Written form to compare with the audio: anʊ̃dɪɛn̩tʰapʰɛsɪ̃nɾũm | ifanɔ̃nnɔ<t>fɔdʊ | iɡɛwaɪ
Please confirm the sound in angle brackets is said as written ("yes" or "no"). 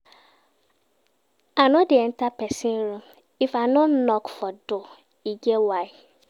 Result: no